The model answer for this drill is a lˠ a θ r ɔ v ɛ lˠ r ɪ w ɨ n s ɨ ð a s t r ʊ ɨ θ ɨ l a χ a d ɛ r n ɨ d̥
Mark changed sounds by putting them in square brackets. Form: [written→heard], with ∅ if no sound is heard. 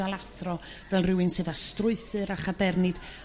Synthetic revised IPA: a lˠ a θ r ɔ v ɛ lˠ r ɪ w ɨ n s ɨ ð a s t r ʊ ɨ θ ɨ [l→ɾ] a χ a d ɛ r n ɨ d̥

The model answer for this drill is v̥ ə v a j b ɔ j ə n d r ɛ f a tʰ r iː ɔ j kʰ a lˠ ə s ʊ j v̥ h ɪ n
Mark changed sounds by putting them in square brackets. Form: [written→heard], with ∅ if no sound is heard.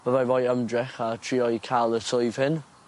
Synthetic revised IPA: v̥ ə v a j [b→v] ɔ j ə [n→m] d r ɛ [f→χ] a tʰ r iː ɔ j kʰ a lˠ ə s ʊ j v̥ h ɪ n

